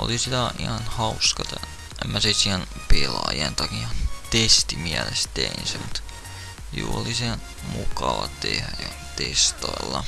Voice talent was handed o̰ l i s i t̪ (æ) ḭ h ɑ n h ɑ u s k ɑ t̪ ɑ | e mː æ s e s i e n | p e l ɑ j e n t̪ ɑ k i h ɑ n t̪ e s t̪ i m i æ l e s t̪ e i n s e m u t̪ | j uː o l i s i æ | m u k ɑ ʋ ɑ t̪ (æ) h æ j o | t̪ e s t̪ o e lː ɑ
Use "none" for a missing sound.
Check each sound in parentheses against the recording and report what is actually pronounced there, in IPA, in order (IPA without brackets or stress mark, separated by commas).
æ, e